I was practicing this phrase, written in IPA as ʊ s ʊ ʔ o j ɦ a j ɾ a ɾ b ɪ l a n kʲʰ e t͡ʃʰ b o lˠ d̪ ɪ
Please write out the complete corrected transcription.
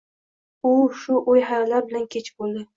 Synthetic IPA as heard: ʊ ʃ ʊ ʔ o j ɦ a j l a ɾ b ɪ l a n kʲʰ e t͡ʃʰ b o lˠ d̪ ɪ